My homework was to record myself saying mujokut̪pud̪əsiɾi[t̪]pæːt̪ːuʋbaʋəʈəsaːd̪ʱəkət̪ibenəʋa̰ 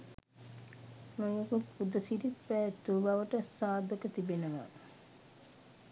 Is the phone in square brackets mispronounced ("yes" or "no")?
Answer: no